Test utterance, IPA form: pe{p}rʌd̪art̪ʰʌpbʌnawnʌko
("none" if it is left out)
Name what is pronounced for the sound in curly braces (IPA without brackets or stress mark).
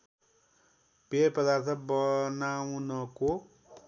p